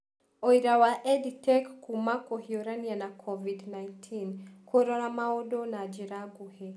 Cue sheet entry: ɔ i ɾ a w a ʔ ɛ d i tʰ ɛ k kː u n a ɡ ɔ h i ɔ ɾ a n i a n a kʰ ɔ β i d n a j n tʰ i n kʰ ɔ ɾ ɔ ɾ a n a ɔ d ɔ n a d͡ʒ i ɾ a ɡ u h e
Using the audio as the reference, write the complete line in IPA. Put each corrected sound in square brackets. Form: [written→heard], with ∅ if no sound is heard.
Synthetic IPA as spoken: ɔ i ɾ a w a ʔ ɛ d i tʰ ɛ k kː u [n→m] a [ɡ→k] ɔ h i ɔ ɾ a n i a n a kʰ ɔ [β→v] i d n a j n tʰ i n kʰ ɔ ɾ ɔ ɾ a [n→m] a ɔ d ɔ n a d͡ʒ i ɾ a ɡ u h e